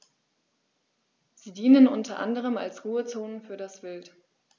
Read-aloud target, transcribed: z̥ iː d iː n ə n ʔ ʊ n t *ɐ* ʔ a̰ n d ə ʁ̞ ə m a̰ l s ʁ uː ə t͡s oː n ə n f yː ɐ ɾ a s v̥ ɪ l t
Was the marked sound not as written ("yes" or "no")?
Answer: no